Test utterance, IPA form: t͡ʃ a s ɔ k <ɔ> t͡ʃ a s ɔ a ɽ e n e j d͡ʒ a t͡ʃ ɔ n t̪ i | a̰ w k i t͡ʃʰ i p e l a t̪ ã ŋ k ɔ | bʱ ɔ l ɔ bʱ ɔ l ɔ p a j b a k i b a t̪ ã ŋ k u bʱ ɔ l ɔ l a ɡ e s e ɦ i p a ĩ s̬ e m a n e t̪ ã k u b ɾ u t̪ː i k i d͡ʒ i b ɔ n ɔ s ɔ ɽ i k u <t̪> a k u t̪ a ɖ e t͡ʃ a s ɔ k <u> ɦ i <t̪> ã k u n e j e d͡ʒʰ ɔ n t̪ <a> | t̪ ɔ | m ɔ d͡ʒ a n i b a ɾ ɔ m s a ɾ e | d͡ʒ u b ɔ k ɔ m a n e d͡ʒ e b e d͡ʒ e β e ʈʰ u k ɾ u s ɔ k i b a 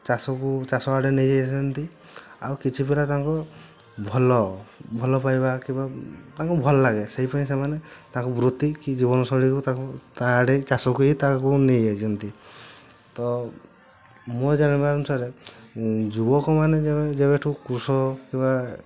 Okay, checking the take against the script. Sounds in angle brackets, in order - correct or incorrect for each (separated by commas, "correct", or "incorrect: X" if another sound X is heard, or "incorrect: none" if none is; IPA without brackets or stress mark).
incorrect: u, correct, correct, correct, incorrect: i